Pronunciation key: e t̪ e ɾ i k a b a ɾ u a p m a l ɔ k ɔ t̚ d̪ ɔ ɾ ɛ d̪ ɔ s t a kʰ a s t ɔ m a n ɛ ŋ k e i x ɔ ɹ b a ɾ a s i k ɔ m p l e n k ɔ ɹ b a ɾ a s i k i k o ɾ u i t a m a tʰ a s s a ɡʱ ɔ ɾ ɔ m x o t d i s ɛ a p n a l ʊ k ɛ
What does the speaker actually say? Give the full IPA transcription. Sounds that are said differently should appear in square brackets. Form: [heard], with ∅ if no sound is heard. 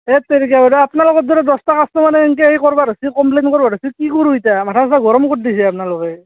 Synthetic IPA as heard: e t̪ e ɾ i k a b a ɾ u a p [n] a l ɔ k ɔ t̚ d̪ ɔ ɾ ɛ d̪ ɔ s t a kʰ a s t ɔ m a n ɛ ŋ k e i [k] ɔ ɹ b a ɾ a s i k ɔ m p l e n k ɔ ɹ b a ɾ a s i k i k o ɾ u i t a m a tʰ a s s a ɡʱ ɔ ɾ ɔ m [k] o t d i s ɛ a p n a l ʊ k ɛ